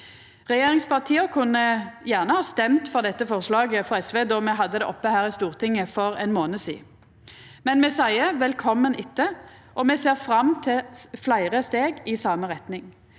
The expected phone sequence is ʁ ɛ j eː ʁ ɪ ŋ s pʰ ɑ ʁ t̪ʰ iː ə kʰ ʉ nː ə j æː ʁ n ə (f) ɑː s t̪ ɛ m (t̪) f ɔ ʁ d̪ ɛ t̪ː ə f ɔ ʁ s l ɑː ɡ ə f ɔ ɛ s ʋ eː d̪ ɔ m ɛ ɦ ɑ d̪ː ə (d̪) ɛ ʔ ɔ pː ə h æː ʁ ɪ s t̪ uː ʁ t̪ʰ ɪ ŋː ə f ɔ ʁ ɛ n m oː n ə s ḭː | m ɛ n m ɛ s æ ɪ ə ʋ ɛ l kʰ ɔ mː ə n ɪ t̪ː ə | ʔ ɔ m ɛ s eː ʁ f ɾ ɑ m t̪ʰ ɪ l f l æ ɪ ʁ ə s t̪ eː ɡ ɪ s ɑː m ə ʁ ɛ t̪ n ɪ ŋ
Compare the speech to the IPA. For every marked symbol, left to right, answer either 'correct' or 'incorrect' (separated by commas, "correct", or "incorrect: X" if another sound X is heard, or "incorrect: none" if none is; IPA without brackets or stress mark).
incorrect: h, correct, correct